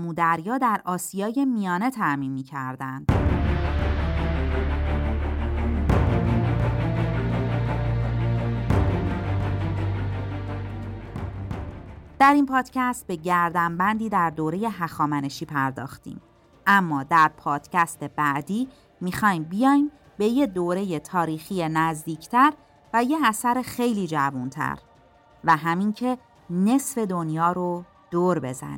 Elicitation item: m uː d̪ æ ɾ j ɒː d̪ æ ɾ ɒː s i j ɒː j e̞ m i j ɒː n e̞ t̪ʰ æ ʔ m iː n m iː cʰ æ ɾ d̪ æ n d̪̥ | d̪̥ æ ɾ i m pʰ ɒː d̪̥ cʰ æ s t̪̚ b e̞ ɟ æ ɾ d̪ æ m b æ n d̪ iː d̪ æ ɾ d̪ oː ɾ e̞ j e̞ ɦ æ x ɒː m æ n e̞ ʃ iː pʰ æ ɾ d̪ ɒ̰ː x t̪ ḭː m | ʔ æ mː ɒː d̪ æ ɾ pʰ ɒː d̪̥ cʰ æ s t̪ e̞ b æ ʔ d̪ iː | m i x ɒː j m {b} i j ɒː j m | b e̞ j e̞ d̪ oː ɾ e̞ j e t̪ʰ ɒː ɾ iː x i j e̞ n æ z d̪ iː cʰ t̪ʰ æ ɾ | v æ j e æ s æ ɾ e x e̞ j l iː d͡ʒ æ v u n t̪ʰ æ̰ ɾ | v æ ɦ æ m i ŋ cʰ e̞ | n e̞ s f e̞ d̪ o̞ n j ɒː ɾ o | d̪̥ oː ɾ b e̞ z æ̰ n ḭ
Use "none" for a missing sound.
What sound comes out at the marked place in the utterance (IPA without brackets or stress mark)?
b